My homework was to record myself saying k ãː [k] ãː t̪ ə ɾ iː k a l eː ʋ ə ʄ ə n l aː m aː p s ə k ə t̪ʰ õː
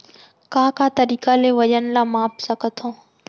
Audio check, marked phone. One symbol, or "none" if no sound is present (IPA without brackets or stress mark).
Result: k